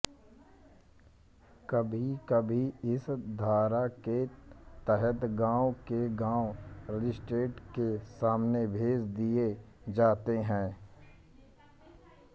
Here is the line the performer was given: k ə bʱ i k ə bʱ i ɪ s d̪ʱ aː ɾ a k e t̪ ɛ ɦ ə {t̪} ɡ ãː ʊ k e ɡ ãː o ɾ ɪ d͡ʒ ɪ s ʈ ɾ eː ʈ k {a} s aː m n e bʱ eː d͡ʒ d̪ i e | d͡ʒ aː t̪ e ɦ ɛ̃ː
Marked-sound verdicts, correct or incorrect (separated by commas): correct, incorrect